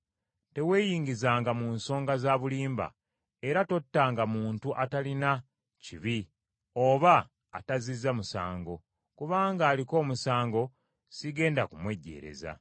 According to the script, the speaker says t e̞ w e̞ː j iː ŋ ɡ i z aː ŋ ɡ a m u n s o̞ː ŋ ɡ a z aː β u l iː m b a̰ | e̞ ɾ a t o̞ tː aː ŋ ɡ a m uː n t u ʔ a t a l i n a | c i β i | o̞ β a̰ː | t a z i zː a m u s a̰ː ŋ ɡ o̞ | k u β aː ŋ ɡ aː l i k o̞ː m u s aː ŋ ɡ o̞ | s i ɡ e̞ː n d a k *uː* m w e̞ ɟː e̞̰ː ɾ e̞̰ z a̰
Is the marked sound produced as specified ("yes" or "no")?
no